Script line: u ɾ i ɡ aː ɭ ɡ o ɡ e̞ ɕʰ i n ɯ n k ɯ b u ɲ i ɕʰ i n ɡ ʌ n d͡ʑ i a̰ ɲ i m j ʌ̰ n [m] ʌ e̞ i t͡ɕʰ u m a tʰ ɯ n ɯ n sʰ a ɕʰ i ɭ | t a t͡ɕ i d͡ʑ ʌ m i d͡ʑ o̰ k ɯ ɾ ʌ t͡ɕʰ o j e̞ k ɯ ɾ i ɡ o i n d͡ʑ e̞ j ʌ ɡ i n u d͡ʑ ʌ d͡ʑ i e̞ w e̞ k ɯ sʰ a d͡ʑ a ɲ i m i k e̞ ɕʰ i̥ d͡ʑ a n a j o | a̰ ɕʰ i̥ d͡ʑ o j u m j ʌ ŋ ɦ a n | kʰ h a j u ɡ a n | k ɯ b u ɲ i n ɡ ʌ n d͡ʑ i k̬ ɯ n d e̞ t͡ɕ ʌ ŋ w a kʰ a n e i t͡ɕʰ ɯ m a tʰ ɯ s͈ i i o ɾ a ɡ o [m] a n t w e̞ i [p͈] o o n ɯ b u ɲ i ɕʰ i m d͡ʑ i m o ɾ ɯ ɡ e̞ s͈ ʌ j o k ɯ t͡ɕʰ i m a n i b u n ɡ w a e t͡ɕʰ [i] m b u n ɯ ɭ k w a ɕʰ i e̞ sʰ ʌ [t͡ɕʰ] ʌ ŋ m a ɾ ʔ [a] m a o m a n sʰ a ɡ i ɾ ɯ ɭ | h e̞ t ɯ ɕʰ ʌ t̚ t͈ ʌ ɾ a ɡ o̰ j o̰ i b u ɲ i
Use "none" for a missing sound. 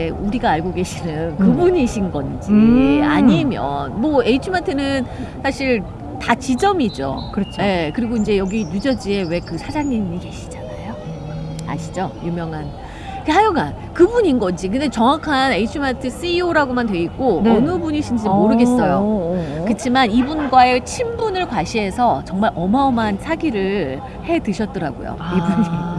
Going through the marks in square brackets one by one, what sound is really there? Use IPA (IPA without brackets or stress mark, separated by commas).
m, m, k͈, i, t͡ɕ, ʌ